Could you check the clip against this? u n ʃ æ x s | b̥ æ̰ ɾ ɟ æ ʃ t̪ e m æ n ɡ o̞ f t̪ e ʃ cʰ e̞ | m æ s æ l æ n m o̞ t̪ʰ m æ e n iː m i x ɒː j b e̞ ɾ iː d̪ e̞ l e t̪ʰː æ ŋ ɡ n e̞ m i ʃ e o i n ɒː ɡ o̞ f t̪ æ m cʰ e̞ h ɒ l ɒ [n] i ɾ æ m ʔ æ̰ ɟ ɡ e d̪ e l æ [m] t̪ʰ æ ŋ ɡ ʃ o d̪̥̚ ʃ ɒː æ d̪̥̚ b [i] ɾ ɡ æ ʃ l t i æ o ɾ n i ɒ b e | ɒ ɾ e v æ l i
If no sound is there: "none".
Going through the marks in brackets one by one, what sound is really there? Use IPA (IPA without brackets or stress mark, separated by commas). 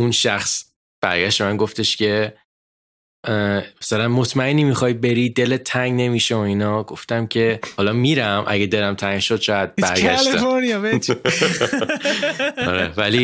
m, m, æ